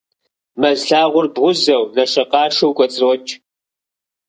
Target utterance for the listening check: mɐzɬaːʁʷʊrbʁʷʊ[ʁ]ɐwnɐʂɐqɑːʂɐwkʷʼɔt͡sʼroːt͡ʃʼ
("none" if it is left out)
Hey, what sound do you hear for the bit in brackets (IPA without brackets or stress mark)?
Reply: z